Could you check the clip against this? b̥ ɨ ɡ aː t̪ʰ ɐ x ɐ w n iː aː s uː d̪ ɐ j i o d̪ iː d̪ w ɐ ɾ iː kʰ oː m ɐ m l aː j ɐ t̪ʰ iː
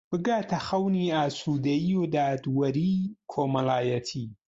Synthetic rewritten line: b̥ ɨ ɡ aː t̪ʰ ɐ x ɐ w n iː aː s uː d̪ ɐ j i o d̪ aː d̪ w ɐ ɾ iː kʰ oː m ɐ l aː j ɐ t̪ʰ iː